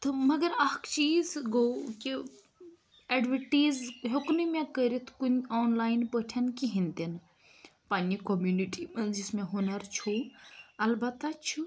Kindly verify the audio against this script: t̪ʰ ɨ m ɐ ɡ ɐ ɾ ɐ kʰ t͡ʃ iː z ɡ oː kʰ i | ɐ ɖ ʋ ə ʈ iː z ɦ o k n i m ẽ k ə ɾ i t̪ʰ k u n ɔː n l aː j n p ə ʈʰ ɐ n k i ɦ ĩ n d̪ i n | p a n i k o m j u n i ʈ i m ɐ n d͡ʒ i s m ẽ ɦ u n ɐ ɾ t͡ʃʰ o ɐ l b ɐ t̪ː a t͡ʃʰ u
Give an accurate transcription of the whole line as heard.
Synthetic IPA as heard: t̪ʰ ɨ m ɐ ɡ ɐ ɾ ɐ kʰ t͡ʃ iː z ɡ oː k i | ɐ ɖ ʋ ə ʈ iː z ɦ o k n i m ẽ k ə ɾ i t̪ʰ k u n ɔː n l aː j n p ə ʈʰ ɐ n k i ɦ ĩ n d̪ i n | p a n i k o m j u n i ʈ i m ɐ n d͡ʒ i s m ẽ ɦ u n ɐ ɾ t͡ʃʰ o ɐ l b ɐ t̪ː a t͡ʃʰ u